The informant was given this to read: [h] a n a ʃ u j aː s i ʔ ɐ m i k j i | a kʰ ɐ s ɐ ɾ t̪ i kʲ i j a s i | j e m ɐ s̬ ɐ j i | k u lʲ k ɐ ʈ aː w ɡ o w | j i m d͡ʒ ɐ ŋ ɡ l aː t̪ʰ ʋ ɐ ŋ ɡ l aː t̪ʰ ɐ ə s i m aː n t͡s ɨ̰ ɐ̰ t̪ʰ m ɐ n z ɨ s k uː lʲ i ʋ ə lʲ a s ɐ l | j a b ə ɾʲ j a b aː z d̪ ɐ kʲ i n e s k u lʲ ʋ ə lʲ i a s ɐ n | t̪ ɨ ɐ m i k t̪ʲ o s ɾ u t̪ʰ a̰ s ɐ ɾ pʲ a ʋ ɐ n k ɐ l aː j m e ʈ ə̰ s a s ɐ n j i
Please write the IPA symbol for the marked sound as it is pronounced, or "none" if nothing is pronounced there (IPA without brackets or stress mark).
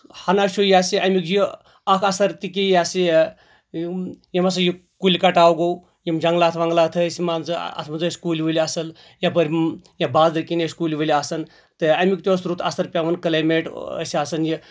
h